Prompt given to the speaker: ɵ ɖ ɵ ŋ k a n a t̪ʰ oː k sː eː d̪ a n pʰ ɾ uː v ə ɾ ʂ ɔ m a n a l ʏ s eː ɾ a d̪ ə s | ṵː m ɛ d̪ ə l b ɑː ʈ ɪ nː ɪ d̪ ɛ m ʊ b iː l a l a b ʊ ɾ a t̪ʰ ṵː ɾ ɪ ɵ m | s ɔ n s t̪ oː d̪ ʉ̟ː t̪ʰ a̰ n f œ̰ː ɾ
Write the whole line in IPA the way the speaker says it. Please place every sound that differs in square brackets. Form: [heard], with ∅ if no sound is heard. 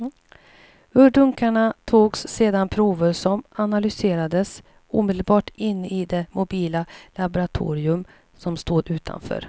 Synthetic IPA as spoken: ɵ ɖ ɵ ŋ k a [ɳ] a t̪ʰ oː [ɡ] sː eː d̪ a n pʰ ɾ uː v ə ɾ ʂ ɔ m a n a l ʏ s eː ɾ a d̪ ə s | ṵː m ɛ d̪ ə l b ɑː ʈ ɪ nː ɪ d̪ ɛ m ʊ b iː l a l a b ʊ ɾ a t̪ʰ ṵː ɾ ɪ ɵ m | s ɔ [m] s t̪ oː d̪ ʉ̟ː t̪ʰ a̰ n f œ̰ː ɾ